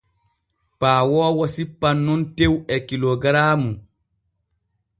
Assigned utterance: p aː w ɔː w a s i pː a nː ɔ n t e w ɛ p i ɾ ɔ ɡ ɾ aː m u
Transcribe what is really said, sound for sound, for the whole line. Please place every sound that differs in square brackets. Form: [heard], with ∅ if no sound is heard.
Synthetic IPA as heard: p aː w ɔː w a s i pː a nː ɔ n t e w ɛ [k] i [l] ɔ ɡ ɾ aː m u